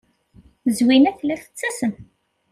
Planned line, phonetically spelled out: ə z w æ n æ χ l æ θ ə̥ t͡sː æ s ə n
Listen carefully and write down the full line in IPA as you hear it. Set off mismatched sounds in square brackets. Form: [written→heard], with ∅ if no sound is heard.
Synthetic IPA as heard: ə z w [æ→i] n æ [χ→θ] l æ θ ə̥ t͡sː æ s ə n